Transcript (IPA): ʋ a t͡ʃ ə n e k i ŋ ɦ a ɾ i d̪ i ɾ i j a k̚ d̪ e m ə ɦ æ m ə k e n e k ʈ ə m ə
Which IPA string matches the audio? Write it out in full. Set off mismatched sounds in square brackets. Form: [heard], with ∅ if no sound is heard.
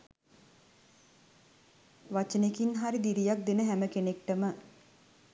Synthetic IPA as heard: ʋ a t͡ʃ ə n e k i [n] ɦ a ɾ i d̪ i ɾ i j a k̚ d̪ e [n] ə ɦ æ m ə k e n e k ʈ ə m ə